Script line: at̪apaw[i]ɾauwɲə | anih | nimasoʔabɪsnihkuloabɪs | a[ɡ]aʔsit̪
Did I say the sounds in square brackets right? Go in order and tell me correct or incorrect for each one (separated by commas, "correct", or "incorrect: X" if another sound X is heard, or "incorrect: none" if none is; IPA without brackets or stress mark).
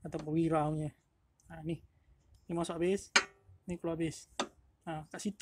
correct, incorrect: k